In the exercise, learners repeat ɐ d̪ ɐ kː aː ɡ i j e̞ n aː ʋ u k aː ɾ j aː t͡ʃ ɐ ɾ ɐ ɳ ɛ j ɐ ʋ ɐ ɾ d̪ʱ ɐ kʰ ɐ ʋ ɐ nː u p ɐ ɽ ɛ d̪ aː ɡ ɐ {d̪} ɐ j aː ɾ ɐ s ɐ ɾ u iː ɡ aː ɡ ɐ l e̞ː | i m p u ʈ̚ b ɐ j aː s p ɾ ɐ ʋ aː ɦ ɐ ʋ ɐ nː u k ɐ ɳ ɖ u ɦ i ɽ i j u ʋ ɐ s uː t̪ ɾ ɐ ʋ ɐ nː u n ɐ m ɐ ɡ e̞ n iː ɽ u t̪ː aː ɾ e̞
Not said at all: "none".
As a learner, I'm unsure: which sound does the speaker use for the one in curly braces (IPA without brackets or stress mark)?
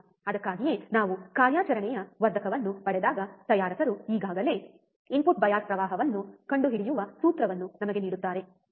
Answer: t̪